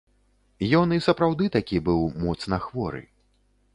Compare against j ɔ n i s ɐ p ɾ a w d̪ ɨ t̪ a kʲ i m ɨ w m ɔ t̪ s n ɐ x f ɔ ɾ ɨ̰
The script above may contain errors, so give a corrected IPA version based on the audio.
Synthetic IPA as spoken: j ɔ n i s ɐ p ɾ a w d̪ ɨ t̪ a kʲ i b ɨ w m ɔ t̪ s n ɐ x v ɔ ɾ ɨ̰